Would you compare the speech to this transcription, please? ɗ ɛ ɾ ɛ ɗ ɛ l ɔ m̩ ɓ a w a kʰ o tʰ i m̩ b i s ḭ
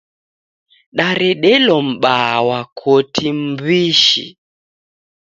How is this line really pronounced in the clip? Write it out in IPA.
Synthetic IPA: ɗ a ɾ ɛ ɗ ɛ l ɔ m̩ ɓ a w a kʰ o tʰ i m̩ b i ʃ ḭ